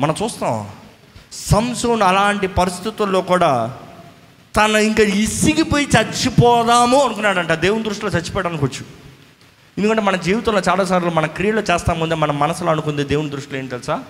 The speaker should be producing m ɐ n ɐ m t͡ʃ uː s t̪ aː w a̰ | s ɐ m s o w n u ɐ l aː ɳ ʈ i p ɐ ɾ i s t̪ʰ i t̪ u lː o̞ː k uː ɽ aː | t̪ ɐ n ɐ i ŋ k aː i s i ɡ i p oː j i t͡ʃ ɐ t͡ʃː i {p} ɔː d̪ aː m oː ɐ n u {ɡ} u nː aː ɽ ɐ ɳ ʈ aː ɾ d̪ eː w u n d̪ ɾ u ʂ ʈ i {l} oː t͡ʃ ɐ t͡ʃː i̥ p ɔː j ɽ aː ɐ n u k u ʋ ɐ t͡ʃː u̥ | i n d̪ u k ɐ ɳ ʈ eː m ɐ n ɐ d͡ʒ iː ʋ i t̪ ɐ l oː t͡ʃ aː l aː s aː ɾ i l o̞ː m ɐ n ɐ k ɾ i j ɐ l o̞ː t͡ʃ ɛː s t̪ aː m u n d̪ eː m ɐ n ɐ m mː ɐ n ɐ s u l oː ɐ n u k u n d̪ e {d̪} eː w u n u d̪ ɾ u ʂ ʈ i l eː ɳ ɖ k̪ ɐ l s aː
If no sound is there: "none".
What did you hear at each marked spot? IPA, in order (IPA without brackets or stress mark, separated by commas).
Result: p, k, l, d̪